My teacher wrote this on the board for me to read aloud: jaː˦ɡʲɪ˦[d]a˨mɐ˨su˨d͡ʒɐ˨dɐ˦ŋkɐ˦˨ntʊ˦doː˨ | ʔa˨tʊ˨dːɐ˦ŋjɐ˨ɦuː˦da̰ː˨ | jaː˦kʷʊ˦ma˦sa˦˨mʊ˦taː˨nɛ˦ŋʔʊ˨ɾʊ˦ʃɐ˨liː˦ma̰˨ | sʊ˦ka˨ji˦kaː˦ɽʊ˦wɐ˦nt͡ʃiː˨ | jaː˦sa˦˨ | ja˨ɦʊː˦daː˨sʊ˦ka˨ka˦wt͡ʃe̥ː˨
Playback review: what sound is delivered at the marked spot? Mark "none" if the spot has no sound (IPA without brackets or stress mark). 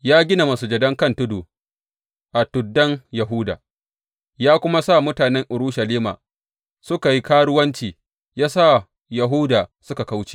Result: n